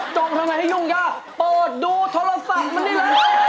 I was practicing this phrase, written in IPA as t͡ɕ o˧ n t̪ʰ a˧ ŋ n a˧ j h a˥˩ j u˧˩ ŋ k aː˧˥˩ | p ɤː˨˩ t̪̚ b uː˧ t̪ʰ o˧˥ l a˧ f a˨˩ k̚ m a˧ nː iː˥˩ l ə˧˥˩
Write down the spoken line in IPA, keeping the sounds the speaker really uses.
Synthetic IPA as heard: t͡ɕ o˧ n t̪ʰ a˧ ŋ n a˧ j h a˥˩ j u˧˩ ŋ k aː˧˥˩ | p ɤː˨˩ t̪̚ d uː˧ t̪ʰ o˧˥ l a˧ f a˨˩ k̚ m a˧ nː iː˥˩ l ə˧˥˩